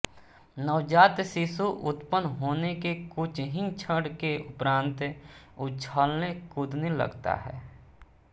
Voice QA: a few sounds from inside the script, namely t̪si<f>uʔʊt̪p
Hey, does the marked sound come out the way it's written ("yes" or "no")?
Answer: no